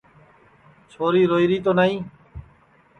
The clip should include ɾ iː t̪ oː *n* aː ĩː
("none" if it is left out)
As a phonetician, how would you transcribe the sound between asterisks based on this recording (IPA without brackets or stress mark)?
n